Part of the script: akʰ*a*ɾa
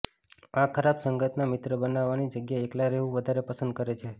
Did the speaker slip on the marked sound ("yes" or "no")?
yes